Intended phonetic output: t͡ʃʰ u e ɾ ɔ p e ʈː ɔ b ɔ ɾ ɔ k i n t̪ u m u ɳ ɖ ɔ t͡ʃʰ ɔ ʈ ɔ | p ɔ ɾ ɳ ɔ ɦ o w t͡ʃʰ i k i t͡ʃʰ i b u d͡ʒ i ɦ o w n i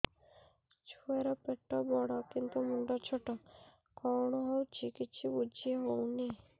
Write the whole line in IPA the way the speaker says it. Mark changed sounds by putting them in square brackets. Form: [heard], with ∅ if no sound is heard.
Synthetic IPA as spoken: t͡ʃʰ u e ɾ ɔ p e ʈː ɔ b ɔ [ɽ] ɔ k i n t̪ u m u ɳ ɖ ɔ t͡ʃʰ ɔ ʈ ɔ | [k] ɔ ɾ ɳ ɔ ɦ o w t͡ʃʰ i k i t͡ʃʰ i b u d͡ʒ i ɦ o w n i